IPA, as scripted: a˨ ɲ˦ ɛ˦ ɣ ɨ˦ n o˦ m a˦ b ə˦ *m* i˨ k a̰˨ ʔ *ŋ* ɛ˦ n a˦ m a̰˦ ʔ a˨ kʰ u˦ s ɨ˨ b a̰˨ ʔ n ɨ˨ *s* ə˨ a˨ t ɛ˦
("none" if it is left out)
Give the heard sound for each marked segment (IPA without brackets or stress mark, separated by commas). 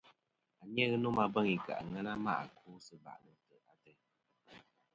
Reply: ŋ, ŋ, t